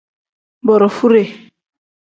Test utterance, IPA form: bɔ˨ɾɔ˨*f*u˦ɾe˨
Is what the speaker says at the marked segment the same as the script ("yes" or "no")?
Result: yes